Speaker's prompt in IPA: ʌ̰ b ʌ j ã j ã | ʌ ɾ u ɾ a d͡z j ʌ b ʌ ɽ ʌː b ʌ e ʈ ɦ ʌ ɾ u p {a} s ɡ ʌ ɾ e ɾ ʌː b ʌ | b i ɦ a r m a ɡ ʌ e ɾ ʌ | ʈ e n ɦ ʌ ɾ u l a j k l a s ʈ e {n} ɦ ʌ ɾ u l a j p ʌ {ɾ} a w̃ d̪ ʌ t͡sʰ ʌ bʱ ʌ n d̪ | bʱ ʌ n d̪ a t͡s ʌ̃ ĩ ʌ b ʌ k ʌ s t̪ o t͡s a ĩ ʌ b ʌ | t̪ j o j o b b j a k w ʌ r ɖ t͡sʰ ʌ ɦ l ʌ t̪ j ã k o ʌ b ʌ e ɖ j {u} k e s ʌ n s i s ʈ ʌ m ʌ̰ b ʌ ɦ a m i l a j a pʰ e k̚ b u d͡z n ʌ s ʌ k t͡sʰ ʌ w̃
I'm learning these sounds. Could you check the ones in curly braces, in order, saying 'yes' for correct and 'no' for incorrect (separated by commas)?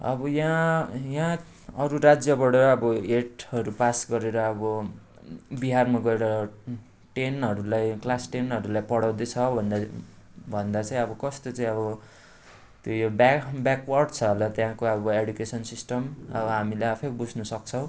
yes, yes, no, yes